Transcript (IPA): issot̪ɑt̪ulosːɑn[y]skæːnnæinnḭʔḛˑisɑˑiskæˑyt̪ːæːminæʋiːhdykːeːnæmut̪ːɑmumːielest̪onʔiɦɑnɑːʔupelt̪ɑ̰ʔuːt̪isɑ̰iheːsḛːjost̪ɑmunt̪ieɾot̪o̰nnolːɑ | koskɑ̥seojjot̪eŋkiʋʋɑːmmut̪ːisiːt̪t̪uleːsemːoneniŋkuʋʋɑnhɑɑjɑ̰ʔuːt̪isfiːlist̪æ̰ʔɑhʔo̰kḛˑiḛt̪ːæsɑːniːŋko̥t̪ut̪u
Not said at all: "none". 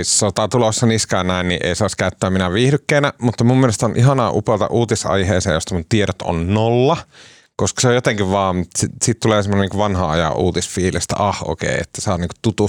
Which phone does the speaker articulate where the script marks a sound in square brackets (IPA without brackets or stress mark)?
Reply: i